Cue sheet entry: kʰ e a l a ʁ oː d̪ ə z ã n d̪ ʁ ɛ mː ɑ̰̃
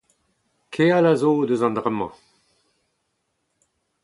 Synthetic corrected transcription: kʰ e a l a z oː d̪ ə z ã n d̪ ʁ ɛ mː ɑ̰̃